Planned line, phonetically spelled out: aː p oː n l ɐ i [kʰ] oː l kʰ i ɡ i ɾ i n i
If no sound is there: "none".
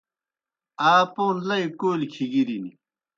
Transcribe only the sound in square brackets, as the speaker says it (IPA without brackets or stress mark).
k